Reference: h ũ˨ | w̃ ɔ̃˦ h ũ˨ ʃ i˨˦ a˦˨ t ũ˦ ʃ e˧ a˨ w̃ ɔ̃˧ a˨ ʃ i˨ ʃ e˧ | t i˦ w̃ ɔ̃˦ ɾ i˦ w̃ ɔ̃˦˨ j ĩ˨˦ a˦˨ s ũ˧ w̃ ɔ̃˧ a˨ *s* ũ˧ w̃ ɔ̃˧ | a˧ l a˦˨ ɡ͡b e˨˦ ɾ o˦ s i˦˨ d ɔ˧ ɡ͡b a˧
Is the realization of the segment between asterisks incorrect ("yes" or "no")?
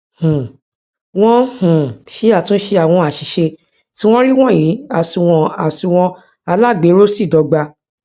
no